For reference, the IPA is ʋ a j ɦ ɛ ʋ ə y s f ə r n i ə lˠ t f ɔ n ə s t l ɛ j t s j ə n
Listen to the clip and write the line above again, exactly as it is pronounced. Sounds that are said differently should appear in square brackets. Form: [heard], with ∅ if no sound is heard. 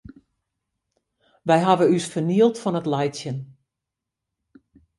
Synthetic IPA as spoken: ʋ [ɛ] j ɦ [a] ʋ ə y s f ə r n i ə lˠ t f ɔ n ə [∅] t l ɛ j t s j ə n

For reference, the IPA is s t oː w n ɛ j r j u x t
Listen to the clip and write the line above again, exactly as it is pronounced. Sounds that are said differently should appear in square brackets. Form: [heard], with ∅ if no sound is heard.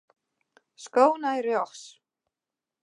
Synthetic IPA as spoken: s [k] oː w n [a] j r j [ɔ] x [s]

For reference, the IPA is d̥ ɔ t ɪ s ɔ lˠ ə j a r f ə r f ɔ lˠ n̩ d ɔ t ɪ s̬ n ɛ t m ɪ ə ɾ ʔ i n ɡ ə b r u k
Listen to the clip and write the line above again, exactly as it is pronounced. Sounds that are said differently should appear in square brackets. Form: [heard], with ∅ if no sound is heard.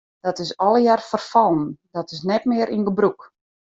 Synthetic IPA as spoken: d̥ ɔ t ɪ s ɔ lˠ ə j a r f ə r f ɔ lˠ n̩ d ɔ t ɪ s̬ n ɛ t m ɪ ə ɾ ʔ i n ɡ ə b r u k

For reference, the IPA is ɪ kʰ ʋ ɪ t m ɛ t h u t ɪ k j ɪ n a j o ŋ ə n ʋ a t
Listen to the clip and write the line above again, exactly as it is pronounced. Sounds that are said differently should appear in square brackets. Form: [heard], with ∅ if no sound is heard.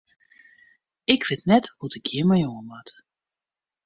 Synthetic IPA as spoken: ɪ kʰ ʋ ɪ t [n] ɛ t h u t ɪ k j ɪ [m] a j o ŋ ə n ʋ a t

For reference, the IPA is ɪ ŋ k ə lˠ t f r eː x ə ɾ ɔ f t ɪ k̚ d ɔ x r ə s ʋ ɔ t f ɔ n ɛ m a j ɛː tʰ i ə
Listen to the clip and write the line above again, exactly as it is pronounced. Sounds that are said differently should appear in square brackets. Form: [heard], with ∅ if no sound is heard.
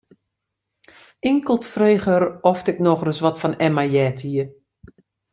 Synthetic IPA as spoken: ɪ ŋ k ə lˠ t f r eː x ə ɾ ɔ f t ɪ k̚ [n] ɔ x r ə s ʋ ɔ t f ɔ n ɛ m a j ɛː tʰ i ə

